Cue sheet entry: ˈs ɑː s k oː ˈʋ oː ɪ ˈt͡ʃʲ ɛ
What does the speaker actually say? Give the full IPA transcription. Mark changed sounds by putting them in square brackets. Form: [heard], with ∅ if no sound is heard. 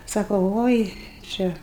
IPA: ˈs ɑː [∅] k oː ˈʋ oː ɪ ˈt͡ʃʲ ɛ